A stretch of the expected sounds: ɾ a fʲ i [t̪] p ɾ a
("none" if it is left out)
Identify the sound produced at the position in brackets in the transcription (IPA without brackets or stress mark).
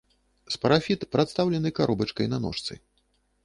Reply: t̪